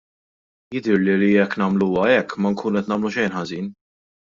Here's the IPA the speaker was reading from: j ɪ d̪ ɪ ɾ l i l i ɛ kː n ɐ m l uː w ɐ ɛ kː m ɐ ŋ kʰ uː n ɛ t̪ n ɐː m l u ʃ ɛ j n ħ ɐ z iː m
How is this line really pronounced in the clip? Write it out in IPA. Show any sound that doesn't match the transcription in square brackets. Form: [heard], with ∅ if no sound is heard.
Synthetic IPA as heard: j ɪ d̪ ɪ ɾ l i l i ɛ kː n ɐ m l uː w ɐ ɛ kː m ɐ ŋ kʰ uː n ɛ t̪ n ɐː m l u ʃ ɛ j n ħ ɐ z iː [n]